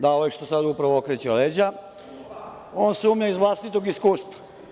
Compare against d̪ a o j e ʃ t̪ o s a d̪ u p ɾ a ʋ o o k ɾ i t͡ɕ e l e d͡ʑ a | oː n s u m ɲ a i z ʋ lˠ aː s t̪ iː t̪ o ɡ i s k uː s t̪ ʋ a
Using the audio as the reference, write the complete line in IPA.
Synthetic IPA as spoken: d̪ a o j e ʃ t̪ o s a d̪ u p ɾ a ʋ o o k ɾ e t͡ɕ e l e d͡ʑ a | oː n s u m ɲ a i z ʋ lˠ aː s t̪ i t̪ o ɡ i s k uː s t̪ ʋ a